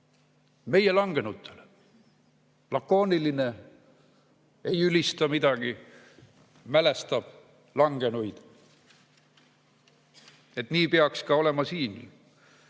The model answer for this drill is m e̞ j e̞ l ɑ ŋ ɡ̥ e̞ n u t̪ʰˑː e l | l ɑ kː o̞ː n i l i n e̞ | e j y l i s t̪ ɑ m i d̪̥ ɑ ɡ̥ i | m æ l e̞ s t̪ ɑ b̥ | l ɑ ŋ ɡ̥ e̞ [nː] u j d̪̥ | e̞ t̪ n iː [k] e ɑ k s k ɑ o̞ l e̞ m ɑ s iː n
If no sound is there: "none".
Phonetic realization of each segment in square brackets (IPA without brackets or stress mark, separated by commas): n, p